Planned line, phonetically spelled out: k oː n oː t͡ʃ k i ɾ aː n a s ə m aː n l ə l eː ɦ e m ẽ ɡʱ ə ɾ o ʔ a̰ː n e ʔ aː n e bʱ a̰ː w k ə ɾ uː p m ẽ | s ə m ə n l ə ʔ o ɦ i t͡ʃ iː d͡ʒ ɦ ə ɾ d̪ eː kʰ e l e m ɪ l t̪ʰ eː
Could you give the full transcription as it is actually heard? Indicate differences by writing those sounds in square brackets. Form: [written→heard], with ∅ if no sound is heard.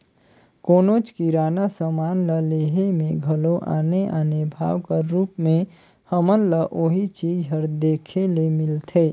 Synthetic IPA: k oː n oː t͡ʃ k i ɾ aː n a s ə m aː n l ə l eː ɦ e m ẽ ɡʱ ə [ɾ→l] o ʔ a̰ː n e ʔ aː n e bʱ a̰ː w k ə ɾ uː p m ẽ | [s→h] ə m ə n l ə ʔ o ɦ i t͡ʃ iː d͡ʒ ɦ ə ɾ d̪ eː kʰ e l e m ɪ l t̪ʰ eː